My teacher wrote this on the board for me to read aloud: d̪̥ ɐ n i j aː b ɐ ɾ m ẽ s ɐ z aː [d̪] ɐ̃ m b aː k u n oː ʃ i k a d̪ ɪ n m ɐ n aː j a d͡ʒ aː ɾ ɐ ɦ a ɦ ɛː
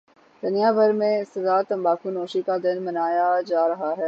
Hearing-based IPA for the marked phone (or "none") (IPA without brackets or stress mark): t̪